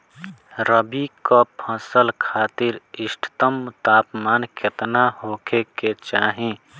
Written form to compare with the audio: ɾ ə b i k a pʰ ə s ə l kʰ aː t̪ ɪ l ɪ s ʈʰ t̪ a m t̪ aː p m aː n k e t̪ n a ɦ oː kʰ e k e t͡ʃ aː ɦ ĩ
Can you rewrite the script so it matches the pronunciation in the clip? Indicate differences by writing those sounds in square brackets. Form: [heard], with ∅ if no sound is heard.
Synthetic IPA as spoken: ɾ ə b i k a pʰ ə s ə l kʰ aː t̪ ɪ [ɾ] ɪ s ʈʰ t̪ [ə] m t̪ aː p m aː n k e t̪ n a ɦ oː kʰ e k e t͡ʃ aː ɦ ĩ